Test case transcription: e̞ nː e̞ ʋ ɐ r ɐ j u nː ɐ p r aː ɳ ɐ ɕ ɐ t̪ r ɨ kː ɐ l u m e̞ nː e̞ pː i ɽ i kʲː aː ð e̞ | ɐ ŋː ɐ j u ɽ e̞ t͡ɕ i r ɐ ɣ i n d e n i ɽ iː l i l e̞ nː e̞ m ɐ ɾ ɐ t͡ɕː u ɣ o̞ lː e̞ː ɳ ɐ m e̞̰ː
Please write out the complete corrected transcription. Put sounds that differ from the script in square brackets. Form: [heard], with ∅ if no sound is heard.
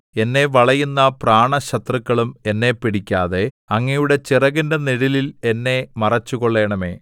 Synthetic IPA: e̞ nː e̞ ʋ ɐ [ɭ] ɐ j u nː ɐ p r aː ɳ ɐ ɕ ɐ t̪ r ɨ kː ɐ [ɭ] u m e̞ nː e̞ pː i ɽ i kʲː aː ð e̞ | ɐ ŋː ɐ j u ɽ e̞ t͡ɕ i r ɐ ɣ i n d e n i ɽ [i] l i l e̞ nː e̞ m ɐ [r] ɐ t͡ɕː u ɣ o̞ [ɭː] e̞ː ɳ ɐ m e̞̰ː